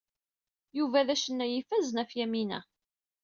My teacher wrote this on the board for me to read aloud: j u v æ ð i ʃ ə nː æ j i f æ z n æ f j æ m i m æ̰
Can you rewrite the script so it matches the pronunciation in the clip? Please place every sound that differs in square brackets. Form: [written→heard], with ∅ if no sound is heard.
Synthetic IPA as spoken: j u v æ ð [i→æ] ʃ ə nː æ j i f æ z n æ f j æ m i [m→n] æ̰